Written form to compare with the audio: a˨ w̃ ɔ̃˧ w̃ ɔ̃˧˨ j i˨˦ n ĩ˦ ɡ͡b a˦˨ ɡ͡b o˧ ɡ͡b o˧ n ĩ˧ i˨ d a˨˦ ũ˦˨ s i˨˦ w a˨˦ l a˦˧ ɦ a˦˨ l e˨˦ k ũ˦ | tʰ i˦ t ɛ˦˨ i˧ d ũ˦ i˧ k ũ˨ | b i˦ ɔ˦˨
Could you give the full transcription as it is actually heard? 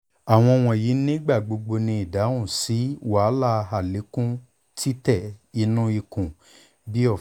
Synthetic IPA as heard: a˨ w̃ ɔ̃˧ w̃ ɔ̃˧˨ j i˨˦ n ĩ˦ ɡ͡b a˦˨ ɡ͡b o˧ ɡ͡b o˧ n ĩ˧ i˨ d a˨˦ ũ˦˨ s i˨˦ w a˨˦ l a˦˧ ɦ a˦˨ l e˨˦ k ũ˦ | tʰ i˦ t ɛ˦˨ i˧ n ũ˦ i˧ k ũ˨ | b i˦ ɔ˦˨